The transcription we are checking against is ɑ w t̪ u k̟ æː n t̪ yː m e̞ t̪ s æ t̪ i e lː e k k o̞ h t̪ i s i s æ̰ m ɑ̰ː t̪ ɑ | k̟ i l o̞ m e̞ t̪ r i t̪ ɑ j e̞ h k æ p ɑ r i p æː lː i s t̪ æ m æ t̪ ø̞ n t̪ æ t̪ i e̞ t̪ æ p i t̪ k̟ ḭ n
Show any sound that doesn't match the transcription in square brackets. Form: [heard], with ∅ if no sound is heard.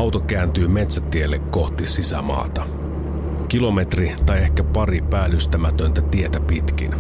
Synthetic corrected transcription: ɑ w t̪ [o] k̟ æː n t̪ yː m e̞ t̪ s æ t̪ i e lː e k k o̞ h t̪ i s i s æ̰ m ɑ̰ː t̪ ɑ | k̟ i l o̞ m e̞ t̪ r i t̪ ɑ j e̞ h k æ p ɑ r i p æː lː [y] s t̪ æ m æ t̪ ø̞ n t̪ æ t̪ i e̞ t̪ æ p i t̪ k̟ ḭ n